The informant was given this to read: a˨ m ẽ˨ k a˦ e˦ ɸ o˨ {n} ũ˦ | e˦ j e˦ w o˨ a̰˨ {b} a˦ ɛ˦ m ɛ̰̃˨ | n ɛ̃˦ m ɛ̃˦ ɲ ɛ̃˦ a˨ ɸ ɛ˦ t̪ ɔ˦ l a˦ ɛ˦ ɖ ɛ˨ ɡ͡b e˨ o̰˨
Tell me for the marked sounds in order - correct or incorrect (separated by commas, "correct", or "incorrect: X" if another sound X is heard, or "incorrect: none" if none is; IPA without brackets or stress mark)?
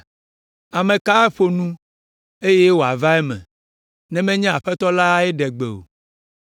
correct, incorrect: v